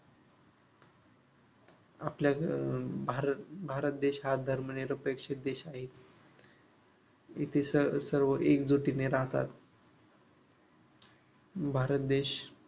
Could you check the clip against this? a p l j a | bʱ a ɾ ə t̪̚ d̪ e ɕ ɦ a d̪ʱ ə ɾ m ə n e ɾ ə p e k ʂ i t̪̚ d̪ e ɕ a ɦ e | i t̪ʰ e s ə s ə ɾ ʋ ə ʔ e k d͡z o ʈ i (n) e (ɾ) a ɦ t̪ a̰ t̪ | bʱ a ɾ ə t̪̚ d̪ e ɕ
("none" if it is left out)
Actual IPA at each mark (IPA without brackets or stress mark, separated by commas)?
n, ɾ